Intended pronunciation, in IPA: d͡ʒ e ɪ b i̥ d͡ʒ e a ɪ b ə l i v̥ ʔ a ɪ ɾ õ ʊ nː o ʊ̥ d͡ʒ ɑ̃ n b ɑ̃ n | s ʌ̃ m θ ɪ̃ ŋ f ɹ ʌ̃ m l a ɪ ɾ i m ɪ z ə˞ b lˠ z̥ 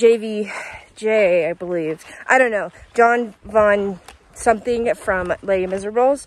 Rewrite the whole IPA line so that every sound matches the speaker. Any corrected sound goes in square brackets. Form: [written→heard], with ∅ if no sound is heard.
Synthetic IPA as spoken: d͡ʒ e ɪ [b→v] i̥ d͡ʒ e a ɪ b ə l i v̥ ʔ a ɪ ɾ õ [ʊ→ʊ̃] nː o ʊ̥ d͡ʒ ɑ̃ n [b→v] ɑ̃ n | s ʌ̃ m θ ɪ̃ ŋ f ɹ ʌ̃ m l [a→e] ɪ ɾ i m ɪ z ə˞ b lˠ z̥